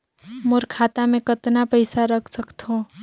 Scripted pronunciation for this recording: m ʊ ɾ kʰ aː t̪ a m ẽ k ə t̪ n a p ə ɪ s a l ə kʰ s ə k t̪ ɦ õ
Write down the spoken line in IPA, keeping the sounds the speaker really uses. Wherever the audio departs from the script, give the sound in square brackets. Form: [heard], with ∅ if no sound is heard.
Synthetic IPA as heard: m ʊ ɾ kʰ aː t̪ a m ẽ k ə t̪ n a p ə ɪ s a [ɾ] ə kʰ s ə k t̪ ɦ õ